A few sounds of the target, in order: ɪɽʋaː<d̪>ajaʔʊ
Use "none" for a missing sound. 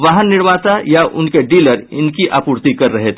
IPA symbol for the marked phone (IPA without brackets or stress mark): t̪